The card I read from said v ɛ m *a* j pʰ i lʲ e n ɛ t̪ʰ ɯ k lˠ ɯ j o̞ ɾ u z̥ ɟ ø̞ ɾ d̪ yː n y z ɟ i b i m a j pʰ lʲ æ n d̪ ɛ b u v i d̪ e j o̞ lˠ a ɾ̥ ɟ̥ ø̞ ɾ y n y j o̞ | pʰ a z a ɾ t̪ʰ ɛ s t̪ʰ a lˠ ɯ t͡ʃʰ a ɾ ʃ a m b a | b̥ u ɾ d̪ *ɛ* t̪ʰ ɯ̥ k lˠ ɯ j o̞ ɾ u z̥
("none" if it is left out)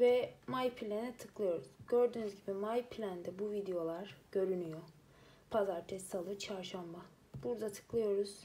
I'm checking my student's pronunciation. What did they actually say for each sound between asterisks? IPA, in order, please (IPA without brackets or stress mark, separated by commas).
a, a